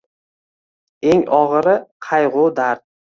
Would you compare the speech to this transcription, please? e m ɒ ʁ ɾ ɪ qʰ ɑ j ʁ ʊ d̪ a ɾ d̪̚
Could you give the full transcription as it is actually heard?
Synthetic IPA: e ŋ ɒ ʁ ɾ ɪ qʰ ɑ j ʁ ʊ d̪ a ɾ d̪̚